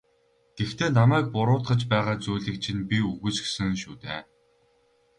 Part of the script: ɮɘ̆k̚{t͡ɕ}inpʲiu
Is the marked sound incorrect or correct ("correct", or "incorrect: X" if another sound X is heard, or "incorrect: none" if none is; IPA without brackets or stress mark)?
incorrect: t͡ɕʰ